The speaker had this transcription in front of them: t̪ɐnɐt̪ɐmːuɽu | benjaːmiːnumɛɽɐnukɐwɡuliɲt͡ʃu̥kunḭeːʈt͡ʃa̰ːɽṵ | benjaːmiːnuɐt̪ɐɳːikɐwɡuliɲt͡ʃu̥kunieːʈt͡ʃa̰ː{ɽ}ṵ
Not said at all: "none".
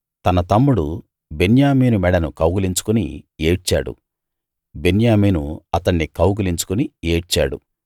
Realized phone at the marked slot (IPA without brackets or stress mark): ɽ